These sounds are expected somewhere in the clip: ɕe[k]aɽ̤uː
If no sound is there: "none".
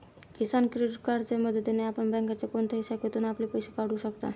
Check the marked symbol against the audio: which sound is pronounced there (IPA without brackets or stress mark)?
k